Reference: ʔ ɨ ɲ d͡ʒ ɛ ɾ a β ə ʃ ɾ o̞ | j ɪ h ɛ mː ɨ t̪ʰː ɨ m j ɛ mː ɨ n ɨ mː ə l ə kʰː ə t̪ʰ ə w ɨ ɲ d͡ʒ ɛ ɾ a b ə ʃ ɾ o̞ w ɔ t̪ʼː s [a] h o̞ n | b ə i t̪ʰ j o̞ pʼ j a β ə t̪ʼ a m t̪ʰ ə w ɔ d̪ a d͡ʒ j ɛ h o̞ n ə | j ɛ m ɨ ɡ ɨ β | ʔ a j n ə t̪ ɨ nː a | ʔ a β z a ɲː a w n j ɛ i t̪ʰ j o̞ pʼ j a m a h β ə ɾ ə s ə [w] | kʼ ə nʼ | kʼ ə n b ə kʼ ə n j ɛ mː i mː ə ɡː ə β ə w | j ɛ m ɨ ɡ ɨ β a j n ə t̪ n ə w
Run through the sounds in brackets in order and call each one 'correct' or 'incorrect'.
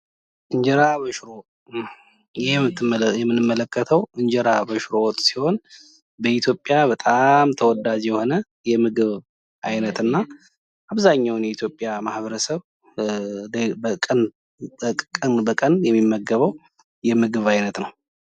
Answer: incorrect: i, incorrect: β

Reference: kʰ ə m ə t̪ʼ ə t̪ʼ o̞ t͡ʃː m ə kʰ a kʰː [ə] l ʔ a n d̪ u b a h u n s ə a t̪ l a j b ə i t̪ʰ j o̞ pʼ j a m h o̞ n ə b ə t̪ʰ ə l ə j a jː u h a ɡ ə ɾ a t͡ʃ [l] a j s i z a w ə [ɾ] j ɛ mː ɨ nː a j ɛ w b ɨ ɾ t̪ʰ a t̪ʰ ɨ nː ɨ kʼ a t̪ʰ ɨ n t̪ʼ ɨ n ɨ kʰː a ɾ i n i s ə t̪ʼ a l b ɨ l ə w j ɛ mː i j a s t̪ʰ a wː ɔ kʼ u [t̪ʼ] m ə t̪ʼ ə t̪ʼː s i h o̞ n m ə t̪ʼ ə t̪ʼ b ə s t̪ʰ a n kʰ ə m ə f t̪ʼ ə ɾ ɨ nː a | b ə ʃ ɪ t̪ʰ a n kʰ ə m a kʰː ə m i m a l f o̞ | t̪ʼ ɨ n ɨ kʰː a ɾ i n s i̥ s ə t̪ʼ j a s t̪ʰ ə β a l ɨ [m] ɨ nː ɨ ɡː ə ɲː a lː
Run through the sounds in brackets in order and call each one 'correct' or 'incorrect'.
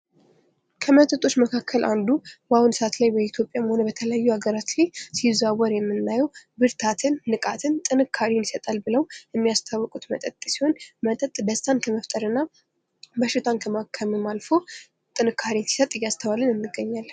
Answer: correct, correct, correct, incorrect: t̪, incorrect: n

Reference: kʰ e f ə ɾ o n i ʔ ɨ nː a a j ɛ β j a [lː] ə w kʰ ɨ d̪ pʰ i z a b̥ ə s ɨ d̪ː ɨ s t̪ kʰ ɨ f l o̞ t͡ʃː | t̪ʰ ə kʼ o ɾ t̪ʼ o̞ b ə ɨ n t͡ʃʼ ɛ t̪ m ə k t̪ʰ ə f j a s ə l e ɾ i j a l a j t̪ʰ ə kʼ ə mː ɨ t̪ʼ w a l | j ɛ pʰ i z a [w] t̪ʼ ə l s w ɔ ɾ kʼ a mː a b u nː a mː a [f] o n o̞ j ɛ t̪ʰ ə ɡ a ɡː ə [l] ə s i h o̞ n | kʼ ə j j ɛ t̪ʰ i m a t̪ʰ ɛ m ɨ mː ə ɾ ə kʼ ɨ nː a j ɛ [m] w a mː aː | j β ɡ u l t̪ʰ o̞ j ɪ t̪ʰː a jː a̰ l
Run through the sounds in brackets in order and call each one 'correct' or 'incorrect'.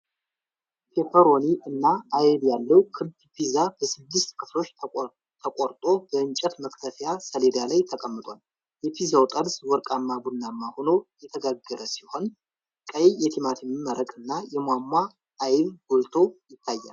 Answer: correct, correct, incorrect: h, incorrect: ɾ, correct

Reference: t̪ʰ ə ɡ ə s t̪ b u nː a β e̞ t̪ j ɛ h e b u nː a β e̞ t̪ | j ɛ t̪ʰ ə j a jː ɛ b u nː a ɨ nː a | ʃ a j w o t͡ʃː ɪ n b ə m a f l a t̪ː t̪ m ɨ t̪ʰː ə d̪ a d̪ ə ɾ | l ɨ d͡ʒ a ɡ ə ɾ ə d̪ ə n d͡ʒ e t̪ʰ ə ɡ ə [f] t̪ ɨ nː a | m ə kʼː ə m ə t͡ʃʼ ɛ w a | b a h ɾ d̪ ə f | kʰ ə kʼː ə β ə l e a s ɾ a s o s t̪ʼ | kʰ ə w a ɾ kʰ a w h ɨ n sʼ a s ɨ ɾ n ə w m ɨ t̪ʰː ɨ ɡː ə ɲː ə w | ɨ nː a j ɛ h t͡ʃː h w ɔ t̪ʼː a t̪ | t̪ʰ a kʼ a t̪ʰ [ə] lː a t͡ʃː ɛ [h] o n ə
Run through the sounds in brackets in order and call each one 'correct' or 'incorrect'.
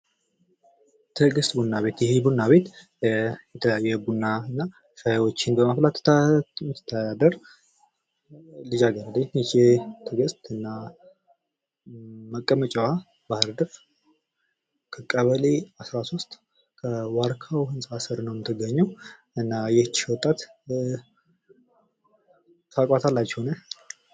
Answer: incorrect: s, incorrect: a, correct

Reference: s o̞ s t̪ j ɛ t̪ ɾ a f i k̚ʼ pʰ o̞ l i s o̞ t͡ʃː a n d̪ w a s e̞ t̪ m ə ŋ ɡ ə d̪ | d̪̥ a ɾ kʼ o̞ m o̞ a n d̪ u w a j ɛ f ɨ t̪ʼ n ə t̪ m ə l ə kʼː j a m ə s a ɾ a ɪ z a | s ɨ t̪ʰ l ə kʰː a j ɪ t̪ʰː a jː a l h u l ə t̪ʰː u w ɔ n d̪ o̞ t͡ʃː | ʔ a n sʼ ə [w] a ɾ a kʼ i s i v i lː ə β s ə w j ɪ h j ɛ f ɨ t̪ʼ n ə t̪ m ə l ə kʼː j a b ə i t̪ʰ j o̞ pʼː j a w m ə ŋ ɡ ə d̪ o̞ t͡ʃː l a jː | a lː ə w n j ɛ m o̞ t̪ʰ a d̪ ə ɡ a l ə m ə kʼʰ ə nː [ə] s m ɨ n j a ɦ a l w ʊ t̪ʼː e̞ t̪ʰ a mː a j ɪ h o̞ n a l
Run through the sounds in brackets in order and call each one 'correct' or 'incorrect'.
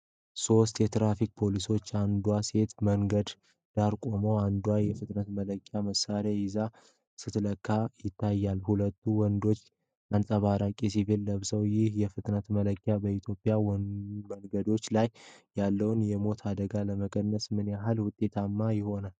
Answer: incorrect: β, correct

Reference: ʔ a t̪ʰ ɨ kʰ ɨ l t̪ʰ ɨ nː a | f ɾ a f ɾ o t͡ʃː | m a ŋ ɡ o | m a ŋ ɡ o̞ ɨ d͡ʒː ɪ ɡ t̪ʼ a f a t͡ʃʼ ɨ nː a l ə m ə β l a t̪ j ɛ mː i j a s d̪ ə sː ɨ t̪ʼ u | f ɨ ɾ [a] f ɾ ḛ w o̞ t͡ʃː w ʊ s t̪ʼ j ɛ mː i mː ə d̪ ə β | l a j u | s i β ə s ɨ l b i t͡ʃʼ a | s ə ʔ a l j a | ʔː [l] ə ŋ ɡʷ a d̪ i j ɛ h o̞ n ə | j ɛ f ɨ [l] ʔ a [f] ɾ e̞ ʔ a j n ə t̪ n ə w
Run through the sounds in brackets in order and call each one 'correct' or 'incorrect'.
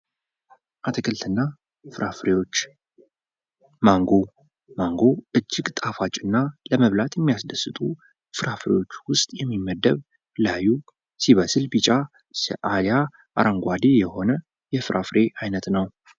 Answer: correct, incorrect: ɾ, incorrect: ɾ, correct

